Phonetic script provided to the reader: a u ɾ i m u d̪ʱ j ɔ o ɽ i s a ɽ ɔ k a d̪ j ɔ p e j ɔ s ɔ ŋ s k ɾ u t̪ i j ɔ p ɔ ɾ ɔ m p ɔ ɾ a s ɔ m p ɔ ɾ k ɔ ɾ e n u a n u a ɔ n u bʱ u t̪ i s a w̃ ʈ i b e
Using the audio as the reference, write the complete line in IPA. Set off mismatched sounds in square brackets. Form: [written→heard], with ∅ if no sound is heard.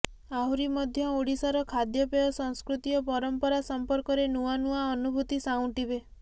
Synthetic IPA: a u ɾ i m [u→ɔ] d̪ʱ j ɔ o ɽ i s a [ɽ→ɾ] ɔ [k→kʰ] a d̪ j ɔ p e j ɔ s ɔ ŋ s k ɾ u t̪ i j ɔ p ɔ ɾ ɔ m p ɔ ɾ a s ɔ m p ɔ ɾ k ɔ ɾ e n u a n u a ɔ n u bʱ u t̪ i s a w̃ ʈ i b e